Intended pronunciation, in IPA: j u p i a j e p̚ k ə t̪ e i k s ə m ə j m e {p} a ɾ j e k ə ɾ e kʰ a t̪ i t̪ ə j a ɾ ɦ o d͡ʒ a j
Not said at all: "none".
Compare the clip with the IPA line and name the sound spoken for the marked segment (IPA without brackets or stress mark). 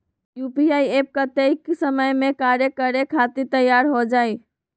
k